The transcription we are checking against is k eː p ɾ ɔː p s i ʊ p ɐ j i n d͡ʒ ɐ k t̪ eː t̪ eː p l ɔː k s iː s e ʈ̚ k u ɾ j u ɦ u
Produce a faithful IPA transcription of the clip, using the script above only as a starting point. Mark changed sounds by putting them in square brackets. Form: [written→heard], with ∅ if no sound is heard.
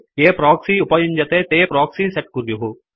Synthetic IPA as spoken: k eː p ɾ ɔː [p→k] s i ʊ p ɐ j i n d͡ʒ ɐ [k→∅] t̪ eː t̪ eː p [l→ɾ] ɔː k s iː s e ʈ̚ k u ɾ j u ɦ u